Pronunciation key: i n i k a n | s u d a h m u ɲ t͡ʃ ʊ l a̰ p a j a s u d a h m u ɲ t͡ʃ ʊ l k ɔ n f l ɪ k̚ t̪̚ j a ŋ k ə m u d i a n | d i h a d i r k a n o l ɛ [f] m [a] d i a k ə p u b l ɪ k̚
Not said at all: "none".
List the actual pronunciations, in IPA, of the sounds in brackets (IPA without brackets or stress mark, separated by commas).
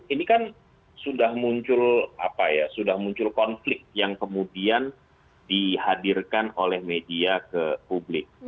h, e